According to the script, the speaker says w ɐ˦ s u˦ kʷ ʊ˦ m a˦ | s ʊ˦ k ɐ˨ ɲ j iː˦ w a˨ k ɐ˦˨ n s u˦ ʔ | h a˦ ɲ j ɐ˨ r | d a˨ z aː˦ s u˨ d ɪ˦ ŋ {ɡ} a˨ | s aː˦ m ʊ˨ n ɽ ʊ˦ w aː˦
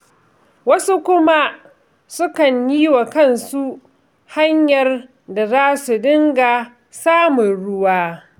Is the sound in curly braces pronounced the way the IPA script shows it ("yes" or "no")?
yes